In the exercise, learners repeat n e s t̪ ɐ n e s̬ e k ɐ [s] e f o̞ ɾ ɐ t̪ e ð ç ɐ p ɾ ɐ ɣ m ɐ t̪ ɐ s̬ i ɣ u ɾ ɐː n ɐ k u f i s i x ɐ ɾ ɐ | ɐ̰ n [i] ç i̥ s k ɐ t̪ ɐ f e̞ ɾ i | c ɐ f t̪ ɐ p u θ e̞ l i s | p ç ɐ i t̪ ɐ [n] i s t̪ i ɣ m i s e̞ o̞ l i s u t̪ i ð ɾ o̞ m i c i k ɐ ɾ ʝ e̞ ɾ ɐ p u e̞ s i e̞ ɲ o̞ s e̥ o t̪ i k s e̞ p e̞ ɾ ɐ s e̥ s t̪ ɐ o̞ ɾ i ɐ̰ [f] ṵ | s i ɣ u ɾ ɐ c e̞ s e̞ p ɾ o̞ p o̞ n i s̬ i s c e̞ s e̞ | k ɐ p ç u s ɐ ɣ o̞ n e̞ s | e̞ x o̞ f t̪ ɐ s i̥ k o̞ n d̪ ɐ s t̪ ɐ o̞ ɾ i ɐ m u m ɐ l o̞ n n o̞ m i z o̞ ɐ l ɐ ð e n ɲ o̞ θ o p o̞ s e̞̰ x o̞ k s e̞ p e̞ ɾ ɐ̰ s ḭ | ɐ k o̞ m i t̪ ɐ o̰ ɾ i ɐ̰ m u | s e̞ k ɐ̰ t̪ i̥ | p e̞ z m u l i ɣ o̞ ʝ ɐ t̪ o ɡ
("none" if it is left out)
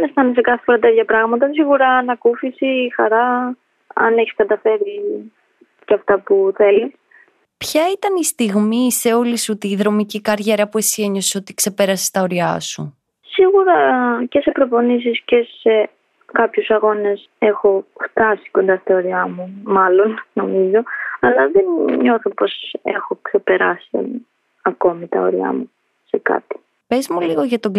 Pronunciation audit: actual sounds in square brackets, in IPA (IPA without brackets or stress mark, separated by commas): θ, e, n, s